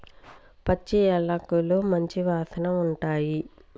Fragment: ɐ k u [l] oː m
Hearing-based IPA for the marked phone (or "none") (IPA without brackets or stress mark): l